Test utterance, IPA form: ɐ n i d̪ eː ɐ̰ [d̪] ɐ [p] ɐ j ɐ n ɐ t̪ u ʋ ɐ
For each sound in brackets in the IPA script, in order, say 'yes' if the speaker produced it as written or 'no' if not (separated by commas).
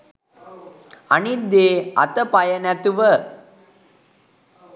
no, yes